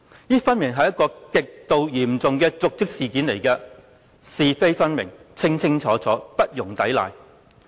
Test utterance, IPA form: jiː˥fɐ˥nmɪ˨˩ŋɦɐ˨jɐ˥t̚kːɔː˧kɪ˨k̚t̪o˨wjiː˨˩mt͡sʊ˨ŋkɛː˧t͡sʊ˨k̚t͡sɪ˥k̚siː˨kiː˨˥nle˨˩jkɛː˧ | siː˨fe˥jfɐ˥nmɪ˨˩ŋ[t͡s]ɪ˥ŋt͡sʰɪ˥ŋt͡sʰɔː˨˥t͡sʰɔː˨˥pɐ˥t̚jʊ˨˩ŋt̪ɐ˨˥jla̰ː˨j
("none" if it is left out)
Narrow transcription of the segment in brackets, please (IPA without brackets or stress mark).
t͡sʰ